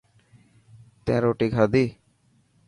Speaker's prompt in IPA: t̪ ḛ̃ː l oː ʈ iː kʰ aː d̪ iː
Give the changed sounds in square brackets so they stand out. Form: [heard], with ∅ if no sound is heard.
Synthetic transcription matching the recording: t̪ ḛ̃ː [ɾ] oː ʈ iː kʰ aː d̪ iː